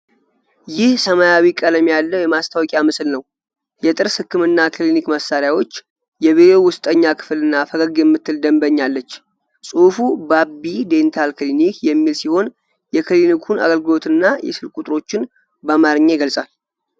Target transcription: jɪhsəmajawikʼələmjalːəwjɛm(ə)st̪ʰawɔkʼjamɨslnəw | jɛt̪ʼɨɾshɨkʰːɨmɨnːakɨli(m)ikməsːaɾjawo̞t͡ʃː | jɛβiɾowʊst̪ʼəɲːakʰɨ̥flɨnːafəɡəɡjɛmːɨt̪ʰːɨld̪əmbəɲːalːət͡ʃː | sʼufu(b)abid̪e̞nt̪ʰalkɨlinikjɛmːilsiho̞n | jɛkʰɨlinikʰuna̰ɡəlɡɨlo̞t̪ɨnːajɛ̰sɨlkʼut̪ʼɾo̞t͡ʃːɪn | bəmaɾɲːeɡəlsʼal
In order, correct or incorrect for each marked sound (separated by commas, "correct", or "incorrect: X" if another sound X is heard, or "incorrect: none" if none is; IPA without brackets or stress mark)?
incorrect: a, incorrect: n, correct